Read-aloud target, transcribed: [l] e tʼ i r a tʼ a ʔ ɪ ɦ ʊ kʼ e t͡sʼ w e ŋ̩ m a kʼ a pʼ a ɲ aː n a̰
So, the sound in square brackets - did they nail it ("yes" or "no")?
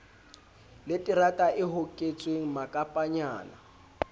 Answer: yes